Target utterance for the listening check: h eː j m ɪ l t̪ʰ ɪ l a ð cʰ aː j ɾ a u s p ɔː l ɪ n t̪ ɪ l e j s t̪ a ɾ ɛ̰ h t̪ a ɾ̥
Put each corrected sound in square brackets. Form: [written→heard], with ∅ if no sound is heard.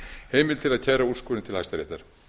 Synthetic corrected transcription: h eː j m ɪ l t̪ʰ ɪ l a ð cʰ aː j ɾ a u s [p→k] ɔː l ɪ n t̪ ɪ l [e→a] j s t̪ a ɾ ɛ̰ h t̪ a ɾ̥